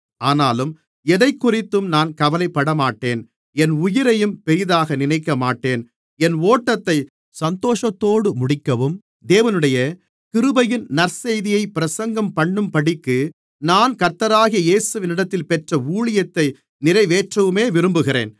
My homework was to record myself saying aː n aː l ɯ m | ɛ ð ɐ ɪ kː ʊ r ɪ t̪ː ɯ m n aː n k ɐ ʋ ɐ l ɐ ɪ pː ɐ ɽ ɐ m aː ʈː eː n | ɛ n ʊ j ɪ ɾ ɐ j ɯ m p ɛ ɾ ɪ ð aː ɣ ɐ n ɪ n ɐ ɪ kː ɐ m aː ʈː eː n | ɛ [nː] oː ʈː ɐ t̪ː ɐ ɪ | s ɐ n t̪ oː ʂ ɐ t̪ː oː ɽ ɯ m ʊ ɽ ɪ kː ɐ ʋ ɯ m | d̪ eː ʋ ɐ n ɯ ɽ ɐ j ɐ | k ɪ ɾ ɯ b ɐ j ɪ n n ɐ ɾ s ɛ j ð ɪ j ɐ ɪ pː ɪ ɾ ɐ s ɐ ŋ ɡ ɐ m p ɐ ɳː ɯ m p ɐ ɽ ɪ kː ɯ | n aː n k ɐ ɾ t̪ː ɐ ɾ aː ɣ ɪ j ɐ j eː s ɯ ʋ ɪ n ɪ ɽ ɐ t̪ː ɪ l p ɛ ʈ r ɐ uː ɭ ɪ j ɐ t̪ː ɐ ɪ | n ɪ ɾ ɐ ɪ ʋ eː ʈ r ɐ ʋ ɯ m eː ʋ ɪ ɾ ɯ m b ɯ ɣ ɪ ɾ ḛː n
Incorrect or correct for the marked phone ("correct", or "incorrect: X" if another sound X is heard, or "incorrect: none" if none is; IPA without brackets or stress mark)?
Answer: incorrect: n